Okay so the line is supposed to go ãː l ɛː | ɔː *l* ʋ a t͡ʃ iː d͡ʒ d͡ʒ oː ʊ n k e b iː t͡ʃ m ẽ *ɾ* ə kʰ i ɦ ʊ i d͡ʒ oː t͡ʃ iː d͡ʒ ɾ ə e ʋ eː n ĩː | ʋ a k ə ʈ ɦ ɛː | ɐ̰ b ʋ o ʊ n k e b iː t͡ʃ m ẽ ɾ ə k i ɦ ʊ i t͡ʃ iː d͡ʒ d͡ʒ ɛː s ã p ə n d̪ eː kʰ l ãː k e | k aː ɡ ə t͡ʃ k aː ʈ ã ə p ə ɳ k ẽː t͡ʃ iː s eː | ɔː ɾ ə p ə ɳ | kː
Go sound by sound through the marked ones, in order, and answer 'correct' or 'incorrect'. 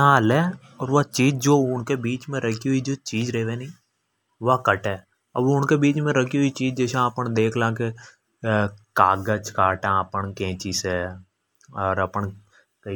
incorrect: ɾ, correct

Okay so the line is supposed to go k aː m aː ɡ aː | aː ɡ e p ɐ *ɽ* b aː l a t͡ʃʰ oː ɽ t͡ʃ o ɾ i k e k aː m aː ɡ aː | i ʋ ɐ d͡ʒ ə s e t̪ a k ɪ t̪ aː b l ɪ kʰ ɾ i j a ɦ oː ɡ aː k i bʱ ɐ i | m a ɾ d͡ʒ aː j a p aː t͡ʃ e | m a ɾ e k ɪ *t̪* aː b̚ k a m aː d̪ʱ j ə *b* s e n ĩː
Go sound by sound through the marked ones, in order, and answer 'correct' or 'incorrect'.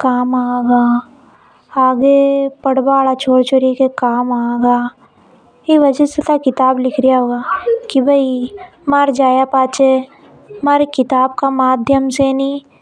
correct, correct, incorrect: m

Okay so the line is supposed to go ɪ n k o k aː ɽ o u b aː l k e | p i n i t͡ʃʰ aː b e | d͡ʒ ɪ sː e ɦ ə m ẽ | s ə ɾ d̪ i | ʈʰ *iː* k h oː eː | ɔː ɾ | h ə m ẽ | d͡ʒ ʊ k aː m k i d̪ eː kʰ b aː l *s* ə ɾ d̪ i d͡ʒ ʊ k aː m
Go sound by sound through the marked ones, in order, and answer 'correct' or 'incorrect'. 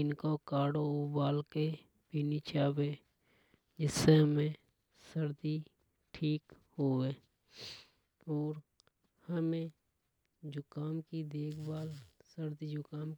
correct, correct

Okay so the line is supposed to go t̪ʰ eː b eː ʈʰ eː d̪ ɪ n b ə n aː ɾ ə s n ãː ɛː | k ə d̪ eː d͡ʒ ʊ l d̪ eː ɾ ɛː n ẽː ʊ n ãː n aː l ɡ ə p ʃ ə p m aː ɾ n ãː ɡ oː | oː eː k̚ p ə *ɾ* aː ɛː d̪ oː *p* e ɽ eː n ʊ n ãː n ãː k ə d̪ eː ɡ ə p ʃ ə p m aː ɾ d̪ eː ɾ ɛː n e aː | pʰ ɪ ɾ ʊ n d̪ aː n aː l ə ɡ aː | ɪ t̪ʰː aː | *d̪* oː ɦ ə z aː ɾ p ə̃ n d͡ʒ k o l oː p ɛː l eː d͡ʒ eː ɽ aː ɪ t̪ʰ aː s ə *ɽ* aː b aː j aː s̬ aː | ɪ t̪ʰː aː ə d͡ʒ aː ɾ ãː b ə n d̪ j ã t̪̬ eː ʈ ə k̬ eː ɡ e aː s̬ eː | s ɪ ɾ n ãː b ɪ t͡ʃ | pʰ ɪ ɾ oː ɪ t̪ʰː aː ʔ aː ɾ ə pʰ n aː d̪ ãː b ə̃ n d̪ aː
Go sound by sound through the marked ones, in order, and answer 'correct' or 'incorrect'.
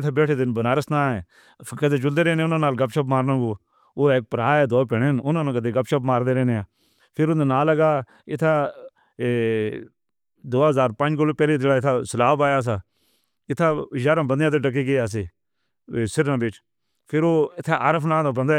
correct, correct, correct, incorrect: l

